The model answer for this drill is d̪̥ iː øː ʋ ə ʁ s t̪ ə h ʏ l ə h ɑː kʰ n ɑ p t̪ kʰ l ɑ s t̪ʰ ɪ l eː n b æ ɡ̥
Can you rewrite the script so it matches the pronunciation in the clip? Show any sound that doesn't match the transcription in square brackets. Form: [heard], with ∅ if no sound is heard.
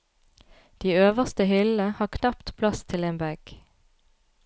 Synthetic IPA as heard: d̪̥ iː øː ʋ ə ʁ s t̪ ə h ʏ l ə h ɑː kʰ n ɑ p t̪ [pʰ] l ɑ s t̪ʰ ɪ l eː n b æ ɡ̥